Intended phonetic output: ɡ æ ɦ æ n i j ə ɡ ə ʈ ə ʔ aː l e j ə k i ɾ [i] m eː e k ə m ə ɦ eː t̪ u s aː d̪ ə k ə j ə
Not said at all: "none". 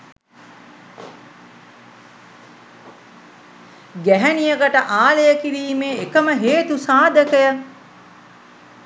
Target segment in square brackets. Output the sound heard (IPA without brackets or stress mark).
iː